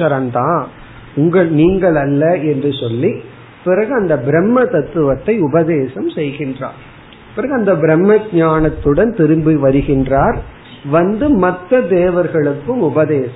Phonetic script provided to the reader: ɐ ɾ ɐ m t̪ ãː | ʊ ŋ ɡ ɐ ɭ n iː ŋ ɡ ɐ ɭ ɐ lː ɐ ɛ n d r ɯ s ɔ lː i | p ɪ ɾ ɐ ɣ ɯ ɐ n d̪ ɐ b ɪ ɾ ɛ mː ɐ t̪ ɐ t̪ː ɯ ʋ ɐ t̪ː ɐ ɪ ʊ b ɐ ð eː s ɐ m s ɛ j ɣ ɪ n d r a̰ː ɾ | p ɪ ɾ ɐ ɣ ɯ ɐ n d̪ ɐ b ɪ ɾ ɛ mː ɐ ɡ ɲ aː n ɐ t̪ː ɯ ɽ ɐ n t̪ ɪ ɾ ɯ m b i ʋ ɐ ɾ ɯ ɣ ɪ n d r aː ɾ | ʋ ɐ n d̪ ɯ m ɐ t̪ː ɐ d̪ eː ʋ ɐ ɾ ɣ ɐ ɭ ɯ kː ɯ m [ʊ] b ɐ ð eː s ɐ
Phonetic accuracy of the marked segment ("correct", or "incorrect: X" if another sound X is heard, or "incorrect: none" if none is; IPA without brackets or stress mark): correct